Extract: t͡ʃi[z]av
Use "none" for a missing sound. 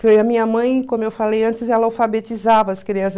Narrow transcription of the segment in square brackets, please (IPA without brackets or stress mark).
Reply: z